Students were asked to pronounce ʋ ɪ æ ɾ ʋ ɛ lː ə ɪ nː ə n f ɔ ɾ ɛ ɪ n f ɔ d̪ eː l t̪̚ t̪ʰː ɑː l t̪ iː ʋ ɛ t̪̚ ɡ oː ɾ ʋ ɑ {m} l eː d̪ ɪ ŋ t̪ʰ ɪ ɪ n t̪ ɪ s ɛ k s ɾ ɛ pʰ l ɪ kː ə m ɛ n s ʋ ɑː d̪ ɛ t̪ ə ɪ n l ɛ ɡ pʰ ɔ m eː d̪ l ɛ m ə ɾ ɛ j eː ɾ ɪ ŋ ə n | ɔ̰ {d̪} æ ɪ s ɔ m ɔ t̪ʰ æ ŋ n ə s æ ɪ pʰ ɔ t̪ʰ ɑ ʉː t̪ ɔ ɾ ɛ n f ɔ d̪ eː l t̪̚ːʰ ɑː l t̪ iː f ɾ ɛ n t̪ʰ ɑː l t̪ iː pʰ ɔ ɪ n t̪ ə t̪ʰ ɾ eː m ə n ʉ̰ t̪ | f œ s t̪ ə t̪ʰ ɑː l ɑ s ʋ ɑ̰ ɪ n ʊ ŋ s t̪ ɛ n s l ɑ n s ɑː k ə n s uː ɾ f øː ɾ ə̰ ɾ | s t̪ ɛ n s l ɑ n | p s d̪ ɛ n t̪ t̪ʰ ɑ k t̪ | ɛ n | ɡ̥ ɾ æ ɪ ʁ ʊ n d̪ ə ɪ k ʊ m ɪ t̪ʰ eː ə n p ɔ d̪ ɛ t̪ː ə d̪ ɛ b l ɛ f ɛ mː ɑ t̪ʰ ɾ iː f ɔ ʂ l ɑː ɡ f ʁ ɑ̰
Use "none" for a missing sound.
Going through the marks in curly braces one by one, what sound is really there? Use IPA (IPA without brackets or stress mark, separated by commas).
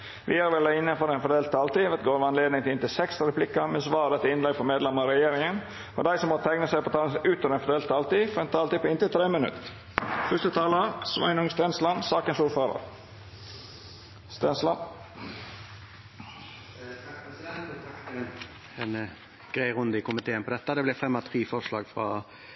n, d̪